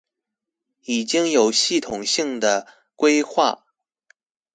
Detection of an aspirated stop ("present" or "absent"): present